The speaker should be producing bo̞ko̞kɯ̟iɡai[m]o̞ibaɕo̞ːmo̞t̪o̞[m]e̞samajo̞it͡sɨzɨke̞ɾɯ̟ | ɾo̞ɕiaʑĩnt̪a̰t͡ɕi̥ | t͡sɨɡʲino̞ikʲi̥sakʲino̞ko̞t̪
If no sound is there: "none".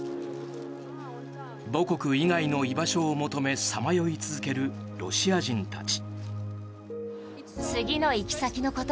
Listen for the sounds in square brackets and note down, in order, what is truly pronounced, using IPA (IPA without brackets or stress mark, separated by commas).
n, m